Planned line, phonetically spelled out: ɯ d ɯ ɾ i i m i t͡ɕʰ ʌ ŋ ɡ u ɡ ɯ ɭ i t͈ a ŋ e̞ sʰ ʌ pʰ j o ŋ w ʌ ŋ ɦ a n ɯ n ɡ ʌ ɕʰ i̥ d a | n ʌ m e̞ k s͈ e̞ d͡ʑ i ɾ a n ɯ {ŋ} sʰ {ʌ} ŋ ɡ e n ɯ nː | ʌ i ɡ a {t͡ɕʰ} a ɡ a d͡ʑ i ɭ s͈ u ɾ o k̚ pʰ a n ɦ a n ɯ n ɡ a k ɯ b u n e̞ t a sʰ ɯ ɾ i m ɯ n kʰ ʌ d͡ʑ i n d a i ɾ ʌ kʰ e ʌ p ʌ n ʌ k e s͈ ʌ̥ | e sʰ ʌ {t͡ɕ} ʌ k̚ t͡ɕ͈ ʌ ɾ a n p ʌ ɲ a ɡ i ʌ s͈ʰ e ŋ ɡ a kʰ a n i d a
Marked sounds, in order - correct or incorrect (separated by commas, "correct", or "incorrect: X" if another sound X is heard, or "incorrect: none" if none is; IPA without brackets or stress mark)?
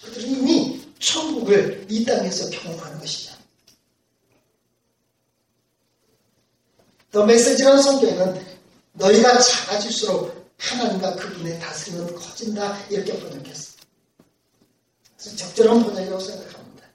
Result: incorrect: n, correct, incorrect: t͡ɕ, correct